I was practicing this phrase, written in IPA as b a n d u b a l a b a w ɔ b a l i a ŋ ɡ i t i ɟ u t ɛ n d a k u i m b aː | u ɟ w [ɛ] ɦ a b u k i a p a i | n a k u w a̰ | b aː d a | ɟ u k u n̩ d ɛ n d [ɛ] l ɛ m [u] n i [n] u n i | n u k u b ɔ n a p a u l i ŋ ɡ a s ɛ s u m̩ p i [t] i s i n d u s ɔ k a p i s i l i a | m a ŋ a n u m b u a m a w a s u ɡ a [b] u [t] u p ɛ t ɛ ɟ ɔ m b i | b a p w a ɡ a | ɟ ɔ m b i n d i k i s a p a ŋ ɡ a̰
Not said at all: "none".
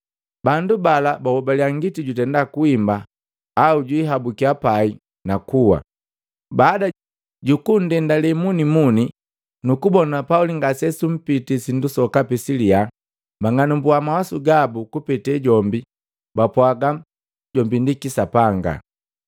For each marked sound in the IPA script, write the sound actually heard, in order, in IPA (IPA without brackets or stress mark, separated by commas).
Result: i, a, u, m, t, b, k